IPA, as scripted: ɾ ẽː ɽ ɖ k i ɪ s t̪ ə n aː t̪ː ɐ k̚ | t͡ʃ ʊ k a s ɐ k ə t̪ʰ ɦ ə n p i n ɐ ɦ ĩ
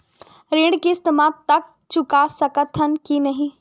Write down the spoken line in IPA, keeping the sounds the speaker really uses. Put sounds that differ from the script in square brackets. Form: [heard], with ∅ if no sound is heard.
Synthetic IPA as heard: ɾ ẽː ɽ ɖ k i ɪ s t̪ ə [m] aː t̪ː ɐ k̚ | t͡ʃ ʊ k a s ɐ k ə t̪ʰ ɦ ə n [k] i n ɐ ɦ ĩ